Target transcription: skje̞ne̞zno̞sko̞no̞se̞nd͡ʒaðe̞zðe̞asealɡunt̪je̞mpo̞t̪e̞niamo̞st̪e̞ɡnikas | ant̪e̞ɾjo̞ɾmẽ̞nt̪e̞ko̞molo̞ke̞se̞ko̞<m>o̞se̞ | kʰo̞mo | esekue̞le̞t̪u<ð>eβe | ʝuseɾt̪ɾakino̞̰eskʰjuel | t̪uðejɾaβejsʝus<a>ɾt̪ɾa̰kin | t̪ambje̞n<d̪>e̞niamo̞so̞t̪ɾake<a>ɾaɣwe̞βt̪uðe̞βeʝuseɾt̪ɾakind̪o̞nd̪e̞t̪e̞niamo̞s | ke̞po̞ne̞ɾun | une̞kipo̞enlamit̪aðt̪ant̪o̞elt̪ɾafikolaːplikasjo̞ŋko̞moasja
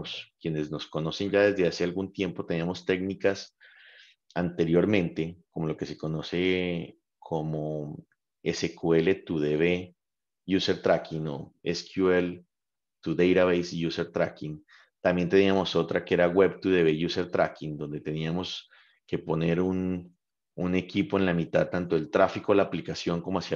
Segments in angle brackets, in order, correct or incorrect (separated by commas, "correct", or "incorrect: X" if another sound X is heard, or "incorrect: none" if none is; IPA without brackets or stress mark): incorrect: n, correct, incorrect: e, incorrect: t̪, incorrect: e